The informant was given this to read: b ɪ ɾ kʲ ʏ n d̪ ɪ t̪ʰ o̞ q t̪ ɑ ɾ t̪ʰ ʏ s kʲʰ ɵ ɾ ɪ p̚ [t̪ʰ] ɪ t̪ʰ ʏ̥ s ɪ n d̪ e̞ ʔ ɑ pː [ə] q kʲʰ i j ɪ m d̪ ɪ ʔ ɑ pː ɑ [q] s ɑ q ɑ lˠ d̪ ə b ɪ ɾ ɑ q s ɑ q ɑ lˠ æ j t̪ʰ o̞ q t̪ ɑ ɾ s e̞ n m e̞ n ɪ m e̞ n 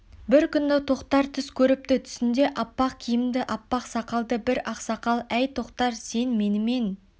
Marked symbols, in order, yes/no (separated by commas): no, no, yes